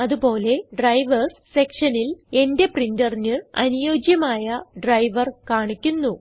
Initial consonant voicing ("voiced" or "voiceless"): voiced